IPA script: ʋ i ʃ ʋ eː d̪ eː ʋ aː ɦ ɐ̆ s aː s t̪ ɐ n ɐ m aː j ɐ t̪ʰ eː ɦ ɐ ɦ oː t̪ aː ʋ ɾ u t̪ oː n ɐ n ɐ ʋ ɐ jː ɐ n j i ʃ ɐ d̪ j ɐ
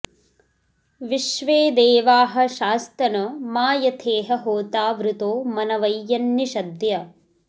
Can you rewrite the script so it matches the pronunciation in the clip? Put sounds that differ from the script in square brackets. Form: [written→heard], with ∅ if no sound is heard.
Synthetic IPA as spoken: ʋ i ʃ ʋ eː d̪ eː ʋ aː ɦ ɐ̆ [s→ʃ] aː s t̪ ɐ n ɐ m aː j ɐ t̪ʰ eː ɦ ɐ ɦ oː t̪ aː ʋ ɾ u t̪ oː [n→m] ɐ n ɐ ʋ ɐ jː ɐ n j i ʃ ɐ d̪ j ɐ